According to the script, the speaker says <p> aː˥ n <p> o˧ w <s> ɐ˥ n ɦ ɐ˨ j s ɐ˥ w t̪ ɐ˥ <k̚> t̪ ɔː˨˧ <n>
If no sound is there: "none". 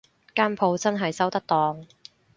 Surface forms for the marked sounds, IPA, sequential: k, pʰ, t͡s, k̚, ŋ

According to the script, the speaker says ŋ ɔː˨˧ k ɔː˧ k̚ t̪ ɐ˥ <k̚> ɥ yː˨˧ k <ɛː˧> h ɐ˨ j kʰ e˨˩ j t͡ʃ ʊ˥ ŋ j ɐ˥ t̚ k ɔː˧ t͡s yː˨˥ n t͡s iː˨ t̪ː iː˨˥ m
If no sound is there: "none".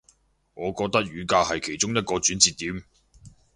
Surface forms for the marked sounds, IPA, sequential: k̚, aː˧

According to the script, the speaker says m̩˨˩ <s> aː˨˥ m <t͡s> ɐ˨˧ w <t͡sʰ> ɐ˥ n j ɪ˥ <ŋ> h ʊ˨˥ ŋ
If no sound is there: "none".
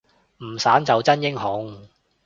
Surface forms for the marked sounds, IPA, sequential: s, t͡s, t͡s, ŋ

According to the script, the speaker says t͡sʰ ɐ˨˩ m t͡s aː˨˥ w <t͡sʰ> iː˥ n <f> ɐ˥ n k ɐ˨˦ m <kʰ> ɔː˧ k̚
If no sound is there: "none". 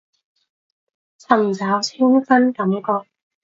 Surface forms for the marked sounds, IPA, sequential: t͡sʰ, f, k

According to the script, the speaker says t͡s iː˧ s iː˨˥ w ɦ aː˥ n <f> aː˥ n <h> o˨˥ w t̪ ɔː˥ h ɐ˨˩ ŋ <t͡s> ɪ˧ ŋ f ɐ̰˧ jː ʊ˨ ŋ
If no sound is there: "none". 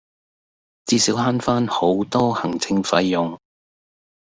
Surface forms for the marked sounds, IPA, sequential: f, h, t͡sʰ

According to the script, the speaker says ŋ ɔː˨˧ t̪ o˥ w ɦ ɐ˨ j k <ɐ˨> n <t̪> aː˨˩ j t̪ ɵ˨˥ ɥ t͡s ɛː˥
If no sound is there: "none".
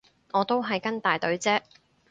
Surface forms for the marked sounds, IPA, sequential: ɐ˥, t̪

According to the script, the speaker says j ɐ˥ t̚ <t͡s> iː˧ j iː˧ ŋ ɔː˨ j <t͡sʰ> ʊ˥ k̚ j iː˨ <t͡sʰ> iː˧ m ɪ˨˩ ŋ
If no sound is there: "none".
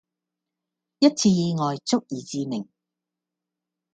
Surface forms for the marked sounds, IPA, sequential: t͡sʰ, t͡s, t͡s

